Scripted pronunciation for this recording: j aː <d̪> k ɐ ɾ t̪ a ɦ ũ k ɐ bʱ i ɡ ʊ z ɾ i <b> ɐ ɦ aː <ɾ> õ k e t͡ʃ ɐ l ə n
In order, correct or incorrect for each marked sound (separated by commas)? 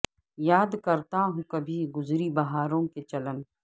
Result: correct, correct, correct